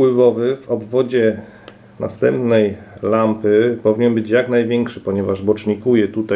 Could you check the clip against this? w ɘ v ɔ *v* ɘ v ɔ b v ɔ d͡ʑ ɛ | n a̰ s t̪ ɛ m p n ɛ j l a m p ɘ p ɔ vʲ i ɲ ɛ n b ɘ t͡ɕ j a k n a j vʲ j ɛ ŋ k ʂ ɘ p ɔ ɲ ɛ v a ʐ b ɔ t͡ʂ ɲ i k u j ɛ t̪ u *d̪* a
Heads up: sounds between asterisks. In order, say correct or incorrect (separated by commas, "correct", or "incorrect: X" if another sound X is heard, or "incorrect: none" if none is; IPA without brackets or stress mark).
correct, incorrect: t̪